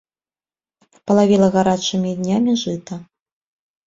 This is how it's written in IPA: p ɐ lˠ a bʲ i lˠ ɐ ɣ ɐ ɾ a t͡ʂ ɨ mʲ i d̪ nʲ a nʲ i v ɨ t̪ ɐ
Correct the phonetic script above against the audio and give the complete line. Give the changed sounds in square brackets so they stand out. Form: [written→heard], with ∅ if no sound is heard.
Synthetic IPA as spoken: p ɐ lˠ a [bʲ→vʲ] i lˠ ɐ ɣ [ɐ→a] ɾ a t͡ʂ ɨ mʲ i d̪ nʲ a [nʲ→mʲ] i [v→ʐ] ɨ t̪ ɐ